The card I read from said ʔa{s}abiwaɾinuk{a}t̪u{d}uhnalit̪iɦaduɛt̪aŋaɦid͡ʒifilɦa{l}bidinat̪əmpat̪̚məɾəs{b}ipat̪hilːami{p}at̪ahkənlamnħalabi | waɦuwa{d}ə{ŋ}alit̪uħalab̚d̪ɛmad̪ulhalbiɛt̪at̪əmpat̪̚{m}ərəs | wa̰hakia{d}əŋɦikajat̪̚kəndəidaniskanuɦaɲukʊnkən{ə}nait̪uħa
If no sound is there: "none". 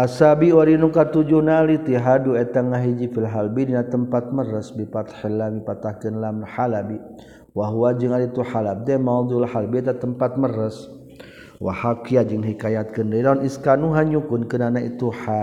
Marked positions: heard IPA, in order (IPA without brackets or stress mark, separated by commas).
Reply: s, a, d͡ʒ, l, b, p, d͡ʒ, ŋ, m, d͡ʒ, a